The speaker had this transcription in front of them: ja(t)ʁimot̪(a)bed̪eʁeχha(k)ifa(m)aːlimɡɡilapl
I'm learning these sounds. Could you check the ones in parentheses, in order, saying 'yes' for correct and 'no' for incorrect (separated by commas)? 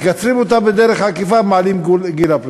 no, yes, yes, yes